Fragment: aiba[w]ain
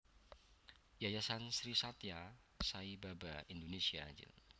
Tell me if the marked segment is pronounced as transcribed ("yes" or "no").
no